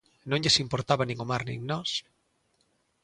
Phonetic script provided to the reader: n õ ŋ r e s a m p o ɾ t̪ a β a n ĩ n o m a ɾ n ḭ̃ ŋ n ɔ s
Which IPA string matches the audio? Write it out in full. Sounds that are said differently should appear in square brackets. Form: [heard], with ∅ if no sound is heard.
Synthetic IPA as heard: n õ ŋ [ʎ] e s [i] m p o ɾ t̪ a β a n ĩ [ŋ] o m a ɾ n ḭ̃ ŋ n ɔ s